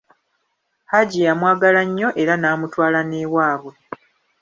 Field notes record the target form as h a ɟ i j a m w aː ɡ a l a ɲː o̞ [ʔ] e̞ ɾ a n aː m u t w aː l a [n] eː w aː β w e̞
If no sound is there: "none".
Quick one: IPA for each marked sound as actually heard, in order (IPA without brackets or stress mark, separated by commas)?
ʔ, n